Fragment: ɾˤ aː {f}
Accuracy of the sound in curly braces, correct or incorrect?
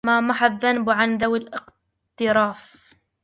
correct